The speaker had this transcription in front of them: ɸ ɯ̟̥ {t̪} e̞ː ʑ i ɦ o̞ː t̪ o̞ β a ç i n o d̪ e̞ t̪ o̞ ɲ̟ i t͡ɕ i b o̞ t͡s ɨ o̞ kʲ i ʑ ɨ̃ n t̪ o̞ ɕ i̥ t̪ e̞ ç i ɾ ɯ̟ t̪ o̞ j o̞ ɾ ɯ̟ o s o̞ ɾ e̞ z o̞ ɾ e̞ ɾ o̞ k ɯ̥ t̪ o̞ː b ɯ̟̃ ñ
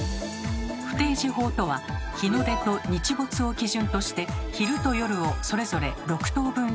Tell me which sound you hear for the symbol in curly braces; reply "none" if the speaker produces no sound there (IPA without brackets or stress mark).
t̪